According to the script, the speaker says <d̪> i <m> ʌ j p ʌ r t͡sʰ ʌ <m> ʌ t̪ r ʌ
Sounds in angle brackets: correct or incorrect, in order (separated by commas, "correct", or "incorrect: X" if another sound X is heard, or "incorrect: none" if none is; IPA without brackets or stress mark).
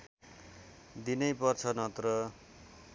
correct, incorrect: n, incorrect: n